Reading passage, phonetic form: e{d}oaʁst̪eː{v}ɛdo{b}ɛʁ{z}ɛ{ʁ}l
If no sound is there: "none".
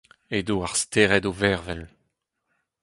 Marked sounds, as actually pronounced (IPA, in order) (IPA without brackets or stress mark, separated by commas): d, ʁ, v, v, none